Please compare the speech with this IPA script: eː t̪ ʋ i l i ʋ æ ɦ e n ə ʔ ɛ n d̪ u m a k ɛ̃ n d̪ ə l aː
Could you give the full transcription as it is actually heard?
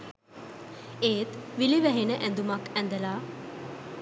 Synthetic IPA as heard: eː t̪ ʋ i l i ʋ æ ɦ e n ə ʔ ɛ n d̪ u m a k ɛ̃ n d̪ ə l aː